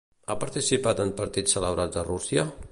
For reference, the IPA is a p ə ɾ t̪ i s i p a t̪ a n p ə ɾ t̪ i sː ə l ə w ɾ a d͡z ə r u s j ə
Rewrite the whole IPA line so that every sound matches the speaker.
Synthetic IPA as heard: a p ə ɾ t̪ i s i p a t̪ ə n p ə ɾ t̪ i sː ə l ə β ɾ a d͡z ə r u s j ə